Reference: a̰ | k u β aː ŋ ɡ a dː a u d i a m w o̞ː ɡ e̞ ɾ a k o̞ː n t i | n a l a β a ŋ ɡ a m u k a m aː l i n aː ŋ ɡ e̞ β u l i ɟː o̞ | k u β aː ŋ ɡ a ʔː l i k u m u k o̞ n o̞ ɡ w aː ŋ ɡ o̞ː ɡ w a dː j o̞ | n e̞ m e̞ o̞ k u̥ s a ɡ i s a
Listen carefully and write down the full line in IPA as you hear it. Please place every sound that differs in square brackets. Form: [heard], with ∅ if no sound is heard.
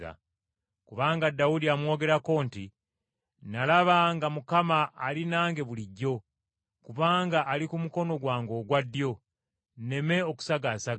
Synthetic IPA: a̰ | k u β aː ŋ ɡ a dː a u d i a m w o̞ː ɡ e̞ ɾ a k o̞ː n t i | n a l a β a ŋ ɡ a m u k a m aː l i n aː ŋ ɡ e̞ β u l i ɟː o̞ | k u β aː ŋ ɡ a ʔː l i k u m u k o̞ n o̞ ɡ w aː ŋ ɡ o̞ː ɡ w a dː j o̞ | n e̞ m e̞ o̞ k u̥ s a ɡ [a] s a